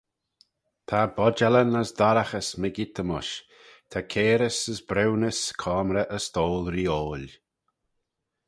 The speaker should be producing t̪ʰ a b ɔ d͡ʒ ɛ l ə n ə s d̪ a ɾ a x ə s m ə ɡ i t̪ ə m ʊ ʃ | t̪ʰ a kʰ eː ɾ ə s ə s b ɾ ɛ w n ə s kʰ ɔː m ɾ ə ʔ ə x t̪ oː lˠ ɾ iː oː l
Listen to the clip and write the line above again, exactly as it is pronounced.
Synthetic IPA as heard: t̪ʰ a b ɔ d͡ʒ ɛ l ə n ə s d̪ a ɾ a x ə s m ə ɡ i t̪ ə m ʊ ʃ | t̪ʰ a kʰ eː ɾ ə s ə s b ɾ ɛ w n ə s kʰ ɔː m ɾ ə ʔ ə s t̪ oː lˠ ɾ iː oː l